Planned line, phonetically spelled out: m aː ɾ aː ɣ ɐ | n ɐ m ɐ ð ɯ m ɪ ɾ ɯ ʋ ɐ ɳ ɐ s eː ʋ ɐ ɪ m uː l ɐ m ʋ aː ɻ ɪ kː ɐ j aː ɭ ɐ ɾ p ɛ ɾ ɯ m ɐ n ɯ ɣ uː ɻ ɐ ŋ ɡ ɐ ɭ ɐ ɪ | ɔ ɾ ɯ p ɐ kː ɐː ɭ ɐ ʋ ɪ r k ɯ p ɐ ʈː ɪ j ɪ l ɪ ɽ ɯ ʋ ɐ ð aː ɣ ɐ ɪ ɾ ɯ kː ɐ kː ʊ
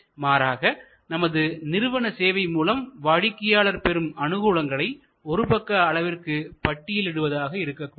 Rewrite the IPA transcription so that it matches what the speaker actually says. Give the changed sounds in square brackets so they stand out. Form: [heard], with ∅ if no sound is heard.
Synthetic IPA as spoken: m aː ɾ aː ɣ ɐ | n ɐ m ɐ ð ɯ [n] ɪ ɾ ɯ ʋ ɐ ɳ ɐ s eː ʋ ɐ ɪ m uː l ɐ m ʋ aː ɻ ɪ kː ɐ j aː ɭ ɐ ɾ p ɛ ɾ ɯ m ɐ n ɯ ɣ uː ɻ ɐ ŋ ɡ ɐ ɭ ɐ ɪ | ɔ ɾ ɯ p ɐ kː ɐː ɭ ɐ ʋ ɪ r k ɯ p ɐ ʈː ɪ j ɪ l ɪ ɽ ɯ ʋ ɐ ð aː ɣ ɐ ɪ ɾ ɯ kː ɐ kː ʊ